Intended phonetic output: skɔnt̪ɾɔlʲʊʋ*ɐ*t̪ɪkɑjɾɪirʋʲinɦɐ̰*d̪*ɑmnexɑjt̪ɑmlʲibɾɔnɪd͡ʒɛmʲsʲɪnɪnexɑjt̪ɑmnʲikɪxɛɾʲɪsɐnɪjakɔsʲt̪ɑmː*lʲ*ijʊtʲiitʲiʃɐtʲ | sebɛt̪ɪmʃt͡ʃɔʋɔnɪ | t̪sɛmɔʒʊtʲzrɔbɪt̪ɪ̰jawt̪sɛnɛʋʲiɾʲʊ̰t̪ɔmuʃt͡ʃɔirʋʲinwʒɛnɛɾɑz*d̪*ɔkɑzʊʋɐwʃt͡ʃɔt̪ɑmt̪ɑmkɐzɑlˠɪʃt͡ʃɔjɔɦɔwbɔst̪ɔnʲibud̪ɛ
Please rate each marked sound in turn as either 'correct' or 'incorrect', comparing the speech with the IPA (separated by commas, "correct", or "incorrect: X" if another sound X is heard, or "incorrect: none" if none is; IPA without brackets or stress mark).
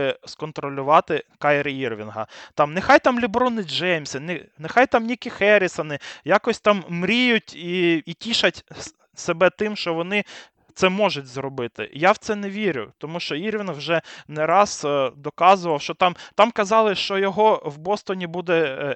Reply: incorrect: ɑ, incorrect: t̪, incorrect: ɾʲ, correct